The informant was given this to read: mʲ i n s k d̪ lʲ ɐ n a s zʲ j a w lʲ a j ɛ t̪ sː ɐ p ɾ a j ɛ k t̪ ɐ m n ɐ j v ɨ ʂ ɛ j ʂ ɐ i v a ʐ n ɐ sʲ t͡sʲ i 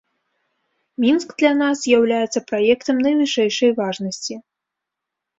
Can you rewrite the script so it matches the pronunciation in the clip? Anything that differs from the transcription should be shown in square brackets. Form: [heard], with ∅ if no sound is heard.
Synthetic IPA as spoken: mʲ i n s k d̪ lʲ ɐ n a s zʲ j a w lʲ a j ɛ t̪ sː ɐ p ɾ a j ɛ k t̪ ɐ m n ɐ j v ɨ ʂ ɛ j ʂ ɐ [j] v a ʐ n ɐ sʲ t͡sʲ i